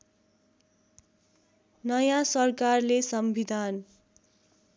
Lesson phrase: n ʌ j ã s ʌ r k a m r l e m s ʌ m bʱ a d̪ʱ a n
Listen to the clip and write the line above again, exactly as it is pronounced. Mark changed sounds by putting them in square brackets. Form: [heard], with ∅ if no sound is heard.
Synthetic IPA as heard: n ʌ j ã s ʌ r k a [∅] r l e [∅] s ʌ m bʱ [i] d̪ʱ a n